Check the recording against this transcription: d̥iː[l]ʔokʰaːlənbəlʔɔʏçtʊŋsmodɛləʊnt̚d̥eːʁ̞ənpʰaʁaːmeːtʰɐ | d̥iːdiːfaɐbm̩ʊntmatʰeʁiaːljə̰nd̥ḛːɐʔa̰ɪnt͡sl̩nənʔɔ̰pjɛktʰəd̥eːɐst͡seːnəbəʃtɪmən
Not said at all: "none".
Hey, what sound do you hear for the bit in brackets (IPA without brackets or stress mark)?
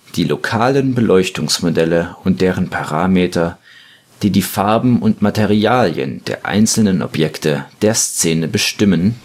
l